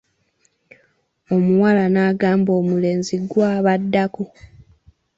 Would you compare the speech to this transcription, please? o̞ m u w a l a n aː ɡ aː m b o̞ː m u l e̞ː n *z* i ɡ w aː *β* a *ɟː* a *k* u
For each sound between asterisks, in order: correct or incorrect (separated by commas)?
correct, correct, incorrect, correct